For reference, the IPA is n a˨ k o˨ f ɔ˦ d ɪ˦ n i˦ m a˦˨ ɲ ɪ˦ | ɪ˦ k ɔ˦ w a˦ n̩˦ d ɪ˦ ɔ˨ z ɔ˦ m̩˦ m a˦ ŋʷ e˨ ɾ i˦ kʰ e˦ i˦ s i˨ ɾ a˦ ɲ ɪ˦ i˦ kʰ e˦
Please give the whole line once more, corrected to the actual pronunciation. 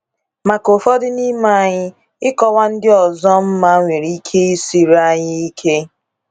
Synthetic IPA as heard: m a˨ k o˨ f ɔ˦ d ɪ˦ n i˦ m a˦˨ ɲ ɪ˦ | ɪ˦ k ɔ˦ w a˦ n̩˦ d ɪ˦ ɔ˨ z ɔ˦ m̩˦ m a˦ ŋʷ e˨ ɾ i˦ kʰ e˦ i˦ s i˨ ɾ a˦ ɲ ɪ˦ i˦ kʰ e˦